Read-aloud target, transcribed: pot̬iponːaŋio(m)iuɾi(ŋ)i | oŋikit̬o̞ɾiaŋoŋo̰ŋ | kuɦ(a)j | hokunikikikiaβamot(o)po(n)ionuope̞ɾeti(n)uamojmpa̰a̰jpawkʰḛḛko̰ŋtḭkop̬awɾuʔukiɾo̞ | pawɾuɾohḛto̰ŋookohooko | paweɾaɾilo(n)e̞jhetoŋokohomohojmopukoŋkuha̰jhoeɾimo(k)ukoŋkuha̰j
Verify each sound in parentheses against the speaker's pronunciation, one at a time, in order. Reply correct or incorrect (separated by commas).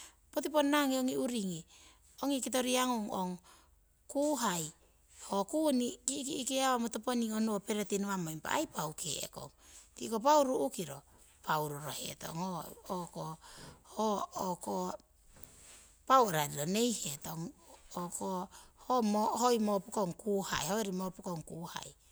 incorrect, correct, correct, correct, correct, correct, correct, incorrect